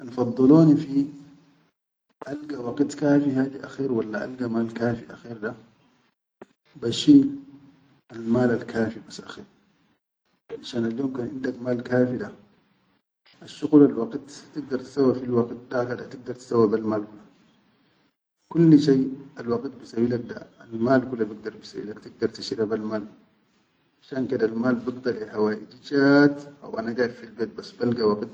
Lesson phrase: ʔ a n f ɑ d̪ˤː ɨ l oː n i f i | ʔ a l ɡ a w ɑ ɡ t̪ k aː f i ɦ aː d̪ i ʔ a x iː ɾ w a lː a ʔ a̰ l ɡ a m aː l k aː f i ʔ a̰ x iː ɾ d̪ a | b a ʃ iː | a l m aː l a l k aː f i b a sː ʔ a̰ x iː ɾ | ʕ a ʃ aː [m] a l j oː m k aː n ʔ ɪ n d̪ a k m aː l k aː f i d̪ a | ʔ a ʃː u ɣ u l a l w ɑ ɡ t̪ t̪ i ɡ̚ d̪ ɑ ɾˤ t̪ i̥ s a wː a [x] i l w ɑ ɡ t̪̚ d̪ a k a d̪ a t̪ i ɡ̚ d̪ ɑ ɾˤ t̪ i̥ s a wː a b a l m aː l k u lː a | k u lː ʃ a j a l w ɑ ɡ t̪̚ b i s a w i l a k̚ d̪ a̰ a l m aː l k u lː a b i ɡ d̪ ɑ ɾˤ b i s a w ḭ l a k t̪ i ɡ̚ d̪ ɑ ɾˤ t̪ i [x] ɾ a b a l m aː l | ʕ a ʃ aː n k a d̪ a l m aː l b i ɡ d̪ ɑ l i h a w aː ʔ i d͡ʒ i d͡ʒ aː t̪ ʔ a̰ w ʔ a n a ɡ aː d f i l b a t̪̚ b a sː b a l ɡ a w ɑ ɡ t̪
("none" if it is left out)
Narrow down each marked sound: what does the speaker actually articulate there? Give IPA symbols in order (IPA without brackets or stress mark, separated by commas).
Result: n, f, ʃ